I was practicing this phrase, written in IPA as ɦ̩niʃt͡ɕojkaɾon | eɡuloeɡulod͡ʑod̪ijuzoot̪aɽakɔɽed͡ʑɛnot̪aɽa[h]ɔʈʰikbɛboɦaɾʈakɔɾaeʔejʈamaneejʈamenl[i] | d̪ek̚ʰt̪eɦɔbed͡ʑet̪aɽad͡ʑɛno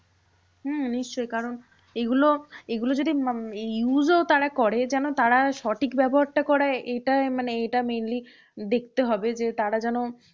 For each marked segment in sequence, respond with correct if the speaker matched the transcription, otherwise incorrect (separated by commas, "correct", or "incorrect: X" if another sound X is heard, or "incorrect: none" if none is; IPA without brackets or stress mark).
incorrect: ʃ, correct